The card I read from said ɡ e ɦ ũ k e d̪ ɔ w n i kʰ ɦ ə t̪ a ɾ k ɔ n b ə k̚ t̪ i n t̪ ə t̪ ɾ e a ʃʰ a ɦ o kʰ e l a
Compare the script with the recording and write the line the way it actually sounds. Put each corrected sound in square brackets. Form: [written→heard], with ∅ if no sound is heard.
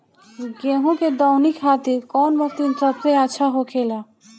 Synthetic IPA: ɡ e ɦ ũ k e d̪ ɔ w n i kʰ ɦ [ə→a] t̪ [a→i] ɾ k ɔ n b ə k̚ t̪ i n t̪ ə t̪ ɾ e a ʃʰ a ɦ o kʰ e l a